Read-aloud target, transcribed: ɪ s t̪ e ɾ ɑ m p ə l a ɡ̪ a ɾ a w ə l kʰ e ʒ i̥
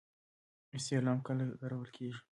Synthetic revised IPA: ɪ s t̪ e l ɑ m k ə l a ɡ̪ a ɾ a w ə l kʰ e ʒ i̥